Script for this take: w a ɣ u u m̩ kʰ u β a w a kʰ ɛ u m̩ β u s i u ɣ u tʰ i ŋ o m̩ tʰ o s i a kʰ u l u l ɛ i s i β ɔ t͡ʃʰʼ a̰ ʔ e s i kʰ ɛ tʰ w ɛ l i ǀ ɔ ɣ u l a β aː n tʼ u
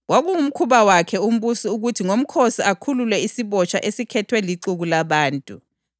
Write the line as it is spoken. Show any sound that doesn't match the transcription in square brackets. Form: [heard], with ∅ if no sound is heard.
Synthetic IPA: w a ɣ u u m̩ kʰ u β a w a kʰ ɛ u m̩ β u s i u ɣ u tʰ i ŋ o m̩ [kʰ] o s i a kʰ u l u l ɛ i s i β ɔ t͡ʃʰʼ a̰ ʔ e s i kʰ ɛ tʰ w ɛ l i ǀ [u] ɣ u l a β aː n tʼ u